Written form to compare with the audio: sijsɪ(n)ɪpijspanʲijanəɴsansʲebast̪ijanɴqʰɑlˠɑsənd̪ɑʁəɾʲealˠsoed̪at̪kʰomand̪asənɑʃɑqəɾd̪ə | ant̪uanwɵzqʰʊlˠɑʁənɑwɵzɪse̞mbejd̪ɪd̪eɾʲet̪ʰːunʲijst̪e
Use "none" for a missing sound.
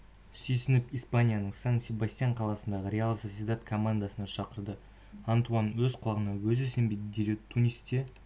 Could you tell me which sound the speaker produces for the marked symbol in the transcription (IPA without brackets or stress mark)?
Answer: n